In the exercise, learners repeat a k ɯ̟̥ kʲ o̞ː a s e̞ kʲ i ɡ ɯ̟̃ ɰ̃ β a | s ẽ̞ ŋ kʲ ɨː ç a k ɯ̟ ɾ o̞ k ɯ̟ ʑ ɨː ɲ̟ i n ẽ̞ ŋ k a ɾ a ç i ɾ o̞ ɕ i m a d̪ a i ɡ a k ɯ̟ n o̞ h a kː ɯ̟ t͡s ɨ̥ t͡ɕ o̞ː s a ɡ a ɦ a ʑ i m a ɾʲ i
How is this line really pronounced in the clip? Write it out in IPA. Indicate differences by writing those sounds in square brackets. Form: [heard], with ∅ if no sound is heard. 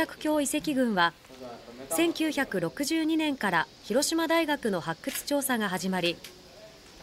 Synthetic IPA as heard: a k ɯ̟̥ kʲ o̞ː [i] s e̞ kʲ i ɡ ɯ̟̃ ɰ̃ β a | s ẽ̞ ŋ kʲ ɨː ç a k ɯ̟ ɾ o̞ k ɯ̟ ʑ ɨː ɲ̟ i n ẽ̞ ŋ k a ɾ a ç i ɾ o̞ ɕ i m a d̪ a i ɡ a k ɯ̟ n o̞ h a kː ɯ̟ t͡s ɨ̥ t͡ɕ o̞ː s a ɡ a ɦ a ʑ i m a ɾʲ i